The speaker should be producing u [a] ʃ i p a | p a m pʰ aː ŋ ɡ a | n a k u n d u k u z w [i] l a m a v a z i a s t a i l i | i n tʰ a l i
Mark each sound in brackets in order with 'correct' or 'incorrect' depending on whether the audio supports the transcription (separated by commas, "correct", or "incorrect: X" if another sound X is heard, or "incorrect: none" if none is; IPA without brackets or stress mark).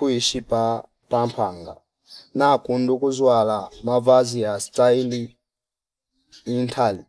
incorrect: i, incorrect: a